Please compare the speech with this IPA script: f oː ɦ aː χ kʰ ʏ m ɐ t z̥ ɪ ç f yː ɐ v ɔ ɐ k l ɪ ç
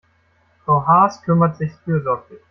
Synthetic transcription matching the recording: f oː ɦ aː s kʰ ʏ m ɐ t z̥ ɪ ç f yː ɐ z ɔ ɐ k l ɪ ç